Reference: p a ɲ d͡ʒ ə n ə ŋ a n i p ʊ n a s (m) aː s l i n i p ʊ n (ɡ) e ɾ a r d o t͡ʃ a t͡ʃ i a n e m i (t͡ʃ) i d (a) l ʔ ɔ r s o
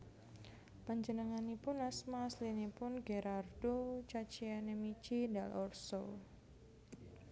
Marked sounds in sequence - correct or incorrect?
correct, correct, correct, correct

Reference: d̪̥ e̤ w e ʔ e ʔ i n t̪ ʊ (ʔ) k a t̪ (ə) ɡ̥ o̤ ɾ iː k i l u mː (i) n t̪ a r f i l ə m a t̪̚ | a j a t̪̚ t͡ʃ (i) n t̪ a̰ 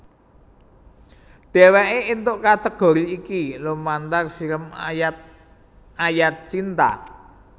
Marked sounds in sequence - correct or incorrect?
correct, correct, incorrect: a, correct

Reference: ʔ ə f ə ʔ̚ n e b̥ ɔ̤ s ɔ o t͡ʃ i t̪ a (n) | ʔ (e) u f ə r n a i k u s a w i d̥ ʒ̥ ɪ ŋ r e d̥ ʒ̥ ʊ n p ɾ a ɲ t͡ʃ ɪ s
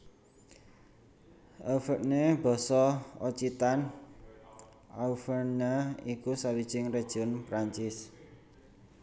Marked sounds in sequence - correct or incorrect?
correct, incorrect: a

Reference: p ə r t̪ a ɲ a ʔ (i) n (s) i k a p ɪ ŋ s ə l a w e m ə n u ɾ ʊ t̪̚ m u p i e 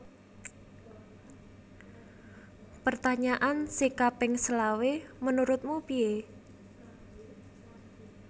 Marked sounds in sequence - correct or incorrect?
incorrect: a, correct

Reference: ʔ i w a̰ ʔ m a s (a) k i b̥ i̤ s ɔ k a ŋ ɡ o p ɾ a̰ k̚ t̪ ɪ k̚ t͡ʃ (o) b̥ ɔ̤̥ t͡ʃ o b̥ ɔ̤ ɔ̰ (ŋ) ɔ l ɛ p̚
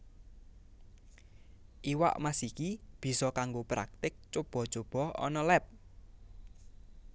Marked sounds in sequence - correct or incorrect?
incorrect: i, correct, incorrect: n

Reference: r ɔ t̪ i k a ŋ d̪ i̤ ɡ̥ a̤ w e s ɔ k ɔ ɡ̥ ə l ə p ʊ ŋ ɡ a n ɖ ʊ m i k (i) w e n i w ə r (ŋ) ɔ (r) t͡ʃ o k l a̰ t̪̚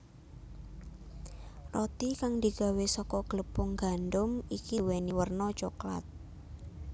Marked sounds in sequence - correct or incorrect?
correct, incorrect: n, incorrect: none

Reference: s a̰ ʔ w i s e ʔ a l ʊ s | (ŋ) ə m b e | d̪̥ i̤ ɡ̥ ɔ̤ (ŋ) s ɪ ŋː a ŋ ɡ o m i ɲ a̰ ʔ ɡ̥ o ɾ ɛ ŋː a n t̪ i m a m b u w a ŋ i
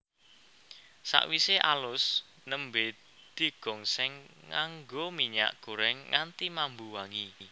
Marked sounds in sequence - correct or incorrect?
incorrect: n, correct

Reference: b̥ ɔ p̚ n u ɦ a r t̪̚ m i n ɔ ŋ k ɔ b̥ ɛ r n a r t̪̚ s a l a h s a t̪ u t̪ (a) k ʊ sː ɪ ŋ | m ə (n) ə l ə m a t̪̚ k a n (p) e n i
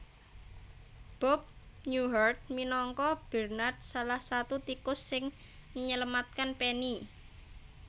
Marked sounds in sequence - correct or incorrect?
incorrect: i, incorrect: ɲ, correct

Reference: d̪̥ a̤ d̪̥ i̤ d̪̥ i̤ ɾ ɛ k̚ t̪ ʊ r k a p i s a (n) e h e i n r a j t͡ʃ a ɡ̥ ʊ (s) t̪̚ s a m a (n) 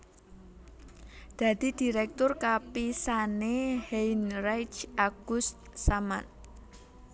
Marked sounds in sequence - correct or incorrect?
correct, correct, correct

